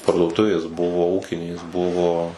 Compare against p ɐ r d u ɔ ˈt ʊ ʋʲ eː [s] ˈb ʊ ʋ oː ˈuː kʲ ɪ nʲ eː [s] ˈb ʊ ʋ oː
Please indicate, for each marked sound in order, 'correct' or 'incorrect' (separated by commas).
correct, correct